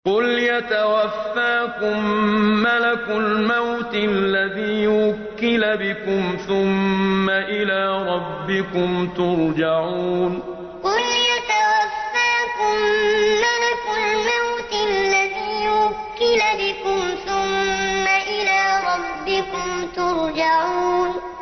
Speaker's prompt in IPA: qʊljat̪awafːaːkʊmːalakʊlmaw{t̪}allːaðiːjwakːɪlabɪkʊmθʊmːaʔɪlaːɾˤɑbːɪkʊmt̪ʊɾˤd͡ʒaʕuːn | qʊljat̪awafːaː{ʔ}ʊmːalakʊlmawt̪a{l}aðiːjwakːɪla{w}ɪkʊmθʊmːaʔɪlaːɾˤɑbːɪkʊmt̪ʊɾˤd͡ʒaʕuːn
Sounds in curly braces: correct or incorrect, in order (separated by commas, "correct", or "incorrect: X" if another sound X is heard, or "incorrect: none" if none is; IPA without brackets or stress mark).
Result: correct, incorrect: k, incorrect: lː, incorrect: b